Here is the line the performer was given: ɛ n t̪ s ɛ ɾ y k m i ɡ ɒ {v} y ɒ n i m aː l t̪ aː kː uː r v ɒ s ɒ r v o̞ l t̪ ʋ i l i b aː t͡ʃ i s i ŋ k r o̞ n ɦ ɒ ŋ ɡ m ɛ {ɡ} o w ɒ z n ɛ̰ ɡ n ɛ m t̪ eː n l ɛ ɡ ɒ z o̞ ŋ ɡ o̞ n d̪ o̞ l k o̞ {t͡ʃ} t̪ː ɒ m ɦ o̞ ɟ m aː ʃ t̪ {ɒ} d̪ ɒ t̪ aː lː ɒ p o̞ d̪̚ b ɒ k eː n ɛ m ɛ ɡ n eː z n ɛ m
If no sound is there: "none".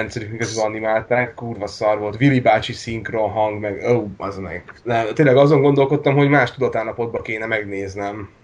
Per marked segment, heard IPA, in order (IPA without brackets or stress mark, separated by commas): z, ɡ, none, u